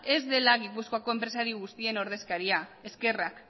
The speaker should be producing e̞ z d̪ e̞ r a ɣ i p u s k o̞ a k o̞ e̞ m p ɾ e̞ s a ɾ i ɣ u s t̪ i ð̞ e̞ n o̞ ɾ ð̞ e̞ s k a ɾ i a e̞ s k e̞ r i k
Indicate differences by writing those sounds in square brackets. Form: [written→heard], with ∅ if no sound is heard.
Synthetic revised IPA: e̞ z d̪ e̞ [r→l] a ɣ i p u s k o̞ a k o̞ e̞ m p ɾ e̞ s a ɾ i ɣ u s t̪ i [ð̞→∅] e̞ n o̞ ɾ ð̞ e̞ s k a ɾ i a e̞ s k e̞ r [i→a] k